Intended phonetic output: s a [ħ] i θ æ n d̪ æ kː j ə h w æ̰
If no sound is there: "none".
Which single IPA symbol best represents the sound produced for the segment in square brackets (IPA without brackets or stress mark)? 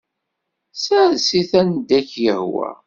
s